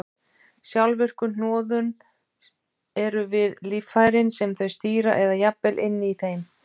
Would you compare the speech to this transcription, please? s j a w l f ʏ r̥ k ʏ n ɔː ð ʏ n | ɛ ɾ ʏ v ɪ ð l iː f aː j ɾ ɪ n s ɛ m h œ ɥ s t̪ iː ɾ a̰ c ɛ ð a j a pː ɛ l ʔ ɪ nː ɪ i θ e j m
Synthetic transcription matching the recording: s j a w l v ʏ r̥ k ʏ n ɔː ð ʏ n | ɛ ɾ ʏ v ɪ ð l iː f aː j ɾ ɪ n s ɛ m θ œ ɥ s t̪ iː ɾ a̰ ʔ ɛ ð a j a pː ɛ l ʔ ɪ nː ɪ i θ e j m